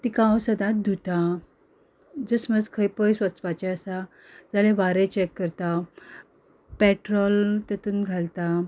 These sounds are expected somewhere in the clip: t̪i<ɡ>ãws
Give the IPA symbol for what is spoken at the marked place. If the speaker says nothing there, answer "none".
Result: k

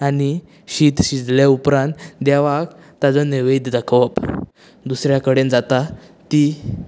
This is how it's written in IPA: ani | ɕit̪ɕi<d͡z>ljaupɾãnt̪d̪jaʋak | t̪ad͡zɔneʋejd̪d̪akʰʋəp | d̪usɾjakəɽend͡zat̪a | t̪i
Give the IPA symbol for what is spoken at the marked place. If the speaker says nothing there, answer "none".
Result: d͡z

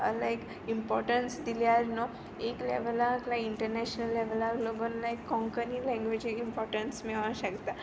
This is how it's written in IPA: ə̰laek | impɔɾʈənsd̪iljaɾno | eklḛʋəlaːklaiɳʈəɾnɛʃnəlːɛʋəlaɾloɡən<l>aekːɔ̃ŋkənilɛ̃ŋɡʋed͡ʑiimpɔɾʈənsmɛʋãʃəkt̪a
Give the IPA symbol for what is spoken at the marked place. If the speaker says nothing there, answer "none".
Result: l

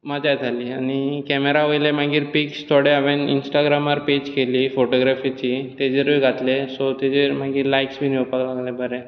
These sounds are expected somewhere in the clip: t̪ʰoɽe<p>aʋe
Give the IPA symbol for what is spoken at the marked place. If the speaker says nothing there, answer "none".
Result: none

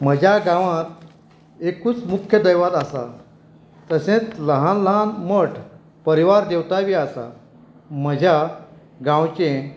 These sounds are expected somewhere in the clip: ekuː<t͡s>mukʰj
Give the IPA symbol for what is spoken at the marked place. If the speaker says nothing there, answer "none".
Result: t͡s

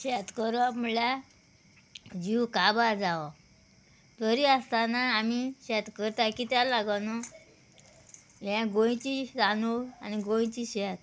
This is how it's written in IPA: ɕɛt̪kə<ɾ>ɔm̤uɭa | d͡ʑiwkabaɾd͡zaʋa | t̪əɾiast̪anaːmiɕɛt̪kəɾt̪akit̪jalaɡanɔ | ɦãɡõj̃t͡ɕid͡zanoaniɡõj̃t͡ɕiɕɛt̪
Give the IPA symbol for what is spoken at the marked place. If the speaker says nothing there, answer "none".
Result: ɾ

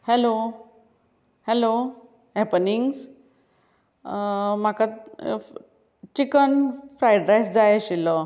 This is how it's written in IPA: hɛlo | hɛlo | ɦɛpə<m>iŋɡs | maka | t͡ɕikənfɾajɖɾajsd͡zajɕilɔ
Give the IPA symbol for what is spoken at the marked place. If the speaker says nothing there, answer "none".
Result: n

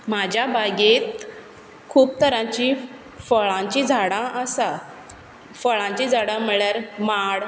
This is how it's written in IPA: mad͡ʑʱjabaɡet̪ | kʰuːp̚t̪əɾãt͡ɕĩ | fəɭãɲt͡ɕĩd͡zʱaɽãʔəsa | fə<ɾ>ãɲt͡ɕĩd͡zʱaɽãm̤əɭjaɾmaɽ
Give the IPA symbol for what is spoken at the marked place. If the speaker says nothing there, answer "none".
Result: ɭ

